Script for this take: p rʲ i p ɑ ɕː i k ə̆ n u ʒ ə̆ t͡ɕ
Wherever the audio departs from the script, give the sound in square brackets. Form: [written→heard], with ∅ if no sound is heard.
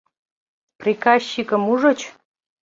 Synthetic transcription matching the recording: p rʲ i [p→k] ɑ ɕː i k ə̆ [n→m] u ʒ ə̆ t͡ɕ